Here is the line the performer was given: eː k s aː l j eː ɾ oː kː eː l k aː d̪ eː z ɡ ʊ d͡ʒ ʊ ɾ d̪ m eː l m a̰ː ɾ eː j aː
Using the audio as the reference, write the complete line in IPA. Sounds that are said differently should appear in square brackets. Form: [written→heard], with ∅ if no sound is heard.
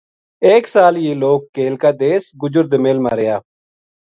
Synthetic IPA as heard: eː k s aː l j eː [ɾ→l] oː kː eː l k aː d̪ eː [z→s] ɡ ʊ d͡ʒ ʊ ɾ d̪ m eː l m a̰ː ɾ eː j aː